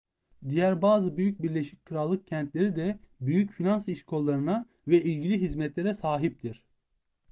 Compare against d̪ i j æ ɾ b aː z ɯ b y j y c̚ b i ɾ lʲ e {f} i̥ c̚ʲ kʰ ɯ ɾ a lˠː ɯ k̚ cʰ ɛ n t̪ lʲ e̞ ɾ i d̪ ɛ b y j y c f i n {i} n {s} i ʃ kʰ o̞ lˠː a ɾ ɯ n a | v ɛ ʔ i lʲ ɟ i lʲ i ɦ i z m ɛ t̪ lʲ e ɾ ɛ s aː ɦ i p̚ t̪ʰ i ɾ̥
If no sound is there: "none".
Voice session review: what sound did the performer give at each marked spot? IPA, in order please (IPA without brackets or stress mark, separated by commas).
ʃ, a, s